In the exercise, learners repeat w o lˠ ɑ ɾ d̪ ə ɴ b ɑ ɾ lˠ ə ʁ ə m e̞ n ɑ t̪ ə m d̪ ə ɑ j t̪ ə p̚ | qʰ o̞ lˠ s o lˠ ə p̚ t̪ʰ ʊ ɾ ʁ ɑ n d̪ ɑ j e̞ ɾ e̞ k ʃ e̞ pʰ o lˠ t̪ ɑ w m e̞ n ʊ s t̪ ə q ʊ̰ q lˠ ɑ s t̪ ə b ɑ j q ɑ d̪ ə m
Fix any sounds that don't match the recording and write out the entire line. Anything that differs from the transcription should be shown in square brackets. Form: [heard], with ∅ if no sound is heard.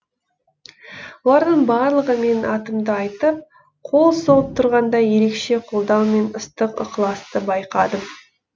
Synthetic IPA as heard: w o lˠ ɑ ɾ d̪ ə ɴ b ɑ ɾ lˠ ə ʁ ə m e̞ n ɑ t̪ ə m d̪ ə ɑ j t̪ ə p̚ | qʰ o̞ lˠ s o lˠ ə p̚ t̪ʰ ʊ ɾ ʁ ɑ n d̪ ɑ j e̞ ɾ e̞ k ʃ e̞ [qʰ] o lˠ [d̪] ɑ w m e̞ n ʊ s t̪ ə q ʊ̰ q lˠ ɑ s t̪ ə b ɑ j q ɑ d̪ ə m